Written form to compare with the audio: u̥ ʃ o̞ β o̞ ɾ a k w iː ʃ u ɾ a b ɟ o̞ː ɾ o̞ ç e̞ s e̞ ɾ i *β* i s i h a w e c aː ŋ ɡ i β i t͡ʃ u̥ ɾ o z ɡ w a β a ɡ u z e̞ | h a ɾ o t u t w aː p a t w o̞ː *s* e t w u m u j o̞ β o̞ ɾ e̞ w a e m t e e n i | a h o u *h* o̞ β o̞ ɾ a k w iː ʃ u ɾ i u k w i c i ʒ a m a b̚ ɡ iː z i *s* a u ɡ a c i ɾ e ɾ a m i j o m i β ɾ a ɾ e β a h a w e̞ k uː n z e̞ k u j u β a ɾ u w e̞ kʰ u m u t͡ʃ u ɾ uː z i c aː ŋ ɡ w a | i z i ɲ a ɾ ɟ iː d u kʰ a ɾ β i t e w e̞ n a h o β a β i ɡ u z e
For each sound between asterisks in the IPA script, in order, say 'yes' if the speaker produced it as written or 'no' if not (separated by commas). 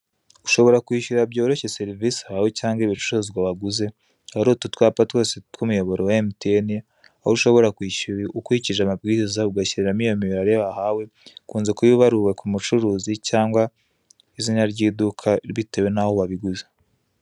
no, yes, no, no